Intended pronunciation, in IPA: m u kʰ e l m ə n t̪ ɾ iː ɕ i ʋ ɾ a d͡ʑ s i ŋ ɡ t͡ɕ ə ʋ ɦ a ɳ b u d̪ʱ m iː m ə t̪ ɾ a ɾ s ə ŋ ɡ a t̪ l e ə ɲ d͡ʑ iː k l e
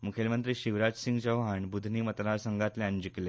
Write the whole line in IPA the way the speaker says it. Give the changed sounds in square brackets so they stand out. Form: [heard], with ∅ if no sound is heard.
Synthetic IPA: m u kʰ e l m ə n t̪ ɾ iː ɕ i ʋ ɾ a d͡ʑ s i ŋ ɡ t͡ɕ ə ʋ ɦ a ɳ b u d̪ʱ [n] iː m ə t̪ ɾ a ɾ s ə ŋ ɡ a t̪ l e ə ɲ d͡ʑ [i] k l e